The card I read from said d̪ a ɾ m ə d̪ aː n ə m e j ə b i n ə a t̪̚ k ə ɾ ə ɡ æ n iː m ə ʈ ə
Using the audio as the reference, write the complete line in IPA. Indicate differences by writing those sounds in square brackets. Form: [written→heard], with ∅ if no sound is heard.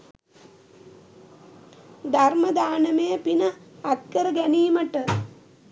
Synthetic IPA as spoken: d̪ a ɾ m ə d̪ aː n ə m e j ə [b→p] i n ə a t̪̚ k ə ɾ ə ɡ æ n iː m ə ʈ ə